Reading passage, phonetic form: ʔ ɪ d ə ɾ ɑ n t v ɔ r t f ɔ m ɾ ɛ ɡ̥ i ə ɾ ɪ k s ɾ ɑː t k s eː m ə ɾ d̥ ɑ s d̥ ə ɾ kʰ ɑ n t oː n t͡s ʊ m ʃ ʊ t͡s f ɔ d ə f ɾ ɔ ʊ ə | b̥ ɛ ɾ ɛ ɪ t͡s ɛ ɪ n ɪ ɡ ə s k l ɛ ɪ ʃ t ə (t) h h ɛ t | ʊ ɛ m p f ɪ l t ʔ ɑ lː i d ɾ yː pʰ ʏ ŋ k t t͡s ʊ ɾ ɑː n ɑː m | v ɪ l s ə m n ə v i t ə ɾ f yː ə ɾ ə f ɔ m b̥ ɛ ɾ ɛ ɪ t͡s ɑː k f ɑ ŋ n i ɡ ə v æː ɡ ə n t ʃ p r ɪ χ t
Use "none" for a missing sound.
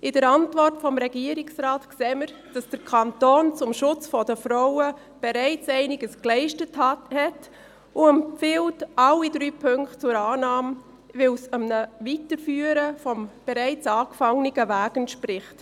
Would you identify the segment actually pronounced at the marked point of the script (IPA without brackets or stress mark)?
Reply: t